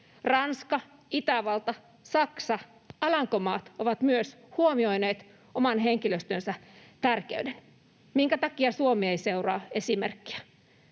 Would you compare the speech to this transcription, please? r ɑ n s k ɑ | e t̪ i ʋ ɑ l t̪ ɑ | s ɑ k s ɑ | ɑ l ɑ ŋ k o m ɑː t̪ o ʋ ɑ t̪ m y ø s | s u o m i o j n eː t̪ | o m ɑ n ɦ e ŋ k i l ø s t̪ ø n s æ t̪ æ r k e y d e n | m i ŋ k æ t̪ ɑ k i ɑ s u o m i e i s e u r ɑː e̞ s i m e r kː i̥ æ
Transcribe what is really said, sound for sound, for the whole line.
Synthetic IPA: r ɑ n s k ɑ | i t̪ æ ʋ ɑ l t̪ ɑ | s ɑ k s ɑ | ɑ l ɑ ŋ k o m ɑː t̪ o ʋ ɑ t̪ m y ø s | h u o m i o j n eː t̪ | o m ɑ n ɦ e ŋ k i l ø s t̪ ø n s æ t̪ æ r k e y d e n | m i ŋ k æ t̪ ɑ k i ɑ s u o m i e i s e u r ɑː e̞ s i m e r kː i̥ æ

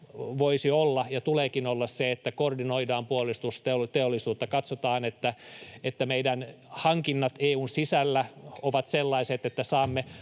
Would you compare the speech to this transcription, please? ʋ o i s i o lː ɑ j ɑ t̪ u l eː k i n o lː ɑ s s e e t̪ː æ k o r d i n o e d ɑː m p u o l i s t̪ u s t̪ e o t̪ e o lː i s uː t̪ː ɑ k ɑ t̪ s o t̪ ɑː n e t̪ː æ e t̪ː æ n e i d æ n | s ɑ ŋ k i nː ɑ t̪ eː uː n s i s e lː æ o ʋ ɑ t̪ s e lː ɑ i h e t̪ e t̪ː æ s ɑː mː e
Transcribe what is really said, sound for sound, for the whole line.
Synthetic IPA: ʋ o i s i o lː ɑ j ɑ t̪ u l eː k i n o lː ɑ s s e e t̪ː æ k o r d i n o i d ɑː m p u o l i s t̪ u s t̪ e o t̪ e o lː i s uː t̪ː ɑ k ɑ t̪ s o t̪ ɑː n e t̪ː æ e t̪ː æ m e i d æ n | h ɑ ŋ k i nː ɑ t̪ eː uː n s i s æ lː æ o ʋ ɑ t̪ s e lː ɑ i s e t̪ e t̪ː æ s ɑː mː e

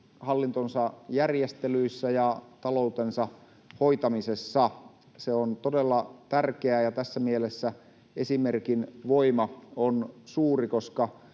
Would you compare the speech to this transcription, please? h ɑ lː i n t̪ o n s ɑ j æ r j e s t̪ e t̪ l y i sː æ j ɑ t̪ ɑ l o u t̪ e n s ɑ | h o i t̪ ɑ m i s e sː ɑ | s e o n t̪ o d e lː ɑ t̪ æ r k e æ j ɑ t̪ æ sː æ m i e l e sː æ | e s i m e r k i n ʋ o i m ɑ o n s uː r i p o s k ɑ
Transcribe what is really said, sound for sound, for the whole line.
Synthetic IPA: h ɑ lː i n t̪ o n s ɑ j æ r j e s t̪ e l y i sː æ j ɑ t̪ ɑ l o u t̪ e n s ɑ | h o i t̪ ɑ m i s e sː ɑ | s e o n t̪ o d e lː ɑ t̪ æ r k e æ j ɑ t̪ æ sː æ m i e l e sː æ | e s i m e r k i n ʋ o i m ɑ o n s uː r i k o s k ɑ

